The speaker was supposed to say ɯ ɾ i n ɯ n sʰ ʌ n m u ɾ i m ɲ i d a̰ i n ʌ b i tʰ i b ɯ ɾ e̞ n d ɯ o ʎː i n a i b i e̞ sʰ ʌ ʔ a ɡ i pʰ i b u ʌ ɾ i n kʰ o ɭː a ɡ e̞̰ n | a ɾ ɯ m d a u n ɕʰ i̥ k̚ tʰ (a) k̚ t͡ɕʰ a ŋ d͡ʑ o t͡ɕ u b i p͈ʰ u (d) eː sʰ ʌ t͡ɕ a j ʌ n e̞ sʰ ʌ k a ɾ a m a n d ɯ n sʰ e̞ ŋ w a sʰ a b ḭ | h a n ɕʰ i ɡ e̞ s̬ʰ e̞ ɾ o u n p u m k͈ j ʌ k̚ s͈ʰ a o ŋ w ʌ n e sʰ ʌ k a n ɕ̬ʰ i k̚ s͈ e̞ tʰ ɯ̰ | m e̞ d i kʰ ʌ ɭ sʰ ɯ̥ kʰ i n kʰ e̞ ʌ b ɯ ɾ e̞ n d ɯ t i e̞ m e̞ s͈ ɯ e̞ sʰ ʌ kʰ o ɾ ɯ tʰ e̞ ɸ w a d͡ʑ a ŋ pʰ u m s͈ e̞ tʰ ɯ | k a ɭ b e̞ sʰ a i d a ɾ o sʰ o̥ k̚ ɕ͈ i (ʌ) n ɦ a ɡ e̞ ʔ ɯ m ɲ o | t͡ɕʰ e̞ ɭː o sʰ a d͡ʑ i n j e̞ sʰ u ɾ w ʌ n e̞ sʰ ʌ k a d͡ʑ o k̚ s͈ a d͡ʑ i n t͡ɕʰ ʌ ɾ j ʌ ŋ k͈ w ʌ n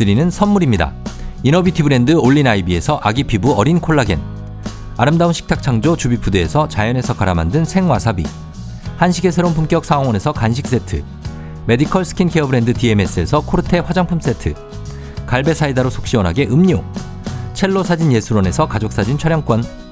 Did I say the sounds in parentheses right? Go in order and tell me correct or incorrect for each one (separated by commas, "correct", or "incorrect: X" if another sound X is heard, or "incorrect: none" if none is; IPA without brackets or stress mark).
correct, correct, correct